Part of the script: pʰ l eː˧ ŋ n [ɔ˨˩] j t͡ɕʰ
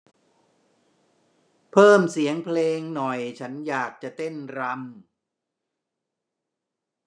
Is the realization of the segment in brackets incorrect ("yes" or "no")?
no